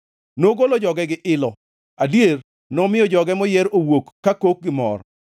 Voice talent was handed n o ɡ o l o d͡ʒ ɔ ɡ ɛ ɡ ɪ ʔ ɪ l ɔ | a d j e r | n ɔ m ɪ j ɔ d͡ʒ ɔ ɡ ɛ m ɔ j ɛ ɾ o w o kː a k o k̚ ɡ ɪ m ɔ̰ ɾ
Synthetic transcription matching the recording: n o ɡ o l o d͡ʒ ɔ ɡ ɛ ɡ ɪ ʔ ɪ l ɔ | a d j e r | n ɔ m ɪ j ɔ d͡ʒ ɔ ɡ ɛ m ɔ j ɛ ɾ o w o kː a k o k̚ ɡ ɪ m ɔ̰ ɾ